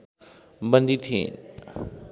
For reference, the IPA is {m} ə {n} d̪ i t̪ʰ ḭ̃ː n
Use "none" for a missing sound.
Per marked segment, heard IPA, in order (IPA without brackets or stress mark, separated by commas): b, n